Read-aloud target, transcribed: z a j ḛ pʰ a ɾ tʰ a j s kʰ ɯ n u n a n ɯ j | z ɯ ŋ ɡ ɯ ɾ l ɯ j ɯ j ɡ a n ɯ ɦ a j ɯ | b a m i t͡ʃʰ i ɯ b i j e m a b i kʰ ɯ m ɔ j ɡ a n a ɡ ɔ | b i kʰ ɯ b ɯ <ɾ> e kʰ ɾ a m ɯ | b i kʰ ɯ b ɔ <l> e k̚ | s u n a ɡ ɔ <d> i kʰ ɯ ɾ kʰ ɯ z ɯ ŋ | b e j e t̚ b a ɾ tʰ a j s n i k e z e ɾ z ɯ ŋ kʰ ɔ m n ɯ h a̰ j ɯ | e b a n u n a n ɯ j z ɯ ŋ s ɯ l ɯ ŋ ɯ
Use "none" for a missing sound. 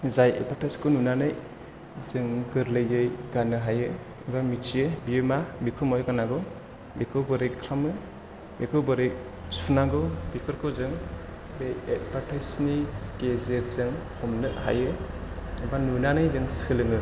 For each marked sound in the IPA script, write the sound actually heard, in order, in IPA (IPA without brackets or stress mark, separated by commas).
ɾ, ɾ, b